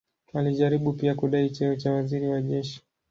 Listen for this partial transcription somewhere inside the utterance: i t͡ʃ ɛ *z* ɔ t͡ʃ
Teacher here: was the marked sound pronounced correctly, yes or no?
no